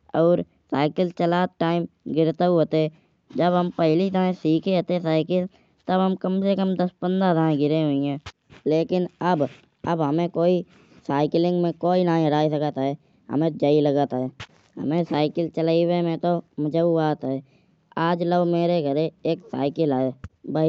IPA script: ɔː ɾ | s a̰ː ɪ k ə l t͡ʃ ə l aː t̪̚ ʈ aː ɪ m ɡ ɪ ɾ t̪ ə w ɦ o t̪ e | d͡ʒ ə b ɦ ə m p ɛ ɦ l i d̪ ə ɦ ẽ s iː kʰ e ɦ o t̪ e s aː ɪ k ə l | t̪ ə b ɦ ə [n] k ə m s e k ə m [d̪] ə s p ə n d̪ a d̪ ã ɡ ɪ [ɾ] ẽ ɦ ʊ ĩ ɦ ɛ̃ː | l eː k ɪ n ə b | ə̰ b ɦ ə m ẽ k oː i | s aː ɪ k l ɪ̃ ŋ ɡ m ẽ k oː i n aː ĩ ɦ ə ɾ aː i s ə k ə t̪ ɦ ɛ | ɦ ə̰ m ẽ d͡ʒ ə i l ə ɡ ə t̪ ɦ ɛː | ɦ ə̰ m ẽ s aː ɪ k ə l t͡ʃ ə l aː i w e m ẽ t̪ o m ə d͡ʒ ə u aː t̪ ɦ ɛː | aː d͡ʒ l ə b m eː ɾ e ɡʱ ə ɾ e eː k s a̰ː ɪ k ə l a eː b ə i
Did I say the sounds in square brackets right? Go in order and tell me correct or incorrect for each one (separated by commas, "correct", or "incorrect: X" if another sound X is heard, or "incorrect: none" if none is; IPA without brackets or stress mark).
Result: incorrect: m, correct, correct